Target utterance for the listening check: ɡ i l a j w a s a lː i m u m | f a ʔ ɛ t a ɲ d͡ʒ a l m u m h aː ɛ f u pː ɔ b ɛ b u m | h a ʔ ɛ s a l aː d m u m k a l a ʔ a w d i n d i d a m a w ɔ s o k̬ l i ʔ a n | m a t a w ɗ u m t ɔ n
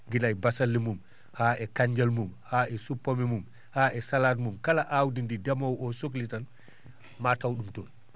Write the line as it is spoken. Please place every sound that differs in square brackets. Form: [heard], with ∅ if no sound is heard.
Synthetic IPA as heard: ɡ i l a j [b] a s a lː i m u m | [h] a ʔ ɛ [k] a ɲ d͡ʒ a l m u m h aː ɛ [s] u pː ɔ [m] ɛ [m] u m | h a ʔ ɛ s a l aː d m u m k a l a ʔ a w d i n d i d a m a w ɔ s o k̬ l i [t] a n | m a t a w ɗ u m t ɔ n